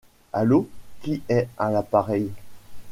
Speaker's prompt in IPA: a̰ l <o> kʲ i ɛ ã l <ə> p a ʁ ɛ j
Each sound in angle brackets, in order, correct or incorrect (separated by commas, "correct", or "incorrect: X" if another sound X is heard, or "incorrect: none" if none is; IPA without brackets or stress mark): correct, incorrect: a